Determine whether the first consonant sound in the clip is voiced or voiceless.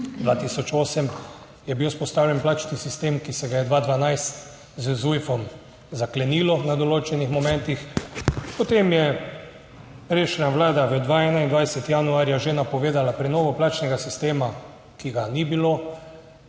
voiced